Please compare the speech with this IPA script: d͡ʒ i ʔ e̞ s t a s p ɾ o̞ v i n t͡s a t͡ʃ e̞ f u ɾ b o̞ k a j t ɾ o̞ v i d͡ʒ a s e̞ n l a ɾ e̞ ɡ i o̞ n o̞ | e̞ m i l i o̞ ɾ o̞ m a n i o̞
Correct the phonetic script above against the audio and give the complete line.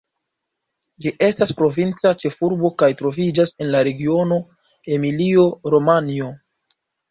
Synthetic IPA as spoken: d͡ʒ i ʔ e̞ s t a s p ɾ o̞ v i n t͡s a t͡ʃ e̞ f u ɾ b o̞ k a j t ɾ o̞ v i d͡ʒ a s e̞ n l a ɾ e̞ ɡ i o̞ n o̞ | e̞ m i l i o̞ ɾ o̞ m a n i o̞